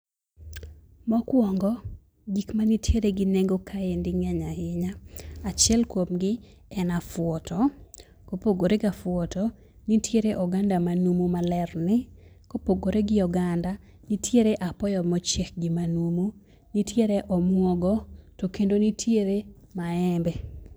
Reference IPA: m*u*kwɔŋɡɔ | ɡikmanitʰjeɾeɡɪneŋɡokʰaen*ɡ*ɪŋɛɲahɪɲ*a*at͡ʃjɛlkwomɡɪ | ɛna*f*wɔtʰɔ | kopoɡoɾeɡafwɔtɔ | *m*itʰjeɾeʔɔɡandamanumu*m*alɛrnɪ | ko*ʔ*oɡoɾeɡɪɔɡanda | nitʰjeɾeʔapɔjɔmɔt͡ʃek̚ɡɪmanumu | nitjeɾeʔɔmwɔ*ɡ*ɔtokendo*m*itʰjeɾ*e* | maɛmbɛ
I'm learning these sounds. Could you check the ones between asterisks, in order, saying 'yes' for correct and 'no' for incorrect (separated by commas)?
no, no, yes, yes, no, yes, no, yes, no, yes